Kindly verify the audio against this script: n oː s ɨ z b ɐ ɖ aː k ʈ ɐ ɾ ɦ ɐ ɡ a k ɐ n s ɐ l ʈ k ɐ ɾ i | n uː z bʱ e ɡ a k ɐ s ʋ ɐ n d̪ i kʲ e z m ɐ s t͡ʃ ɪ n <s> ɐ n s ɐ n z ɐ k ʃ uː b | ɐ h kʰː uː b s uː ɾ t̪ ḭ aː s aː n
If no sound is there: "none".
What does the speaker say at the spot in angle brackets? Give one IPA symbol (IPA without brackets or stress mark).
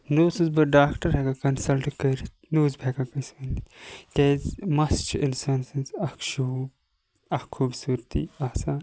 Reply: s